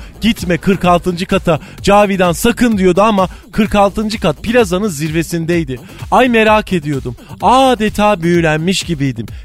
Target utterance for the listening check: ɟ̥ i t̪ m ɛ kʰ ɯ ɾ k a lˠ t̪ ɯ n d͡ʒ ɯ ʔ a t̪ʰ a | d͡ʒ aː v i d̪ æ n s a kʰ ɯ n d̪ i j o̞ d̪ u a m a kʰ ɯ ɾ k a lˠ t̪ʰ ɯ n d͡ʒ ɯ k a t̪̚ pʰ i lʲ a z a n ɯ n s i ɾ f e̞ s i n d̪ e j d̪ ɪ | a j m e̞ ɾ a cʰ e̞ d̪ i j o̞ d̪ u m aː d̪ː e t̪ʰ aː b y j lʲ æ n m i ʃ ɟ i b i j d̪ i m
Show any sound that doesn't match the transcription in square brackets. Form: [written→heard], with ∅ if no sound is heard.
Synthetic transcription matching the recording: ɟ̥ i t̪ m ɛ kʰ ɯ ɾ k a lˠ t̪ ɯ n d͡ʒ ɯ [ʔ→k] a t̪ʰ a | d͡ʒ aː v i d̪ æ n s a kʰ ɯ n d̪ i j o̞ d̪ u a m a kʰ ɯ ɾ k a lˠ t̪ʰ ɯ n d͡ʒ ɯ k a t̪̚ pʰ i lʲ a z a n ɯ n [s→z] i ɾ [f→v] e̞ s i n d̪ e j d̪ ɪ | a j m e̞ ɾ a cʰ e̞ d̪ i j o̞ d̪ u m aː [d̪ː→d̪] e t̪ʰ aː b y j lʲ æ n m i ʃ ɟ i b i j d̪ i m